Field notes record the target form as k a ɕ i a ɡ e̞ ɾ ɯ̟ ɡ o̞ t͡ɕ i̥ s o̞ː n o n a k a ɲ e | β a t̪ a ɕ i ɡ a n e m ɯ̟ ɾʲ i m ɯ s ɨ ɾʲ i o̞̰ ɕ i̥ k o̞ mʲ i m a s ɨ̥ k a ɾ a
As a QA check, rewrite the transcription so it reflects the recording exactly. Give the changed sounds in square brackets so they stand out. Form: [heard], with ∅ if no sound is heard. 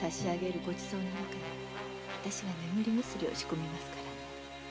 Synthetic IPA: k a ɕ i a ɡ e̞ ɾ ɯ̟ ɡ o̞ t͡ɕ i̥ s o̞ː n o n a k a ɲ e | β a t̪ a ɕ i ɡ a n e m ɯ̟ ɾʲ i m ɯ s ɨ ɾʲ i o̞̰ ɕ i̥ k o̞ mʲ i m a s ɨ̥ k a ɾ a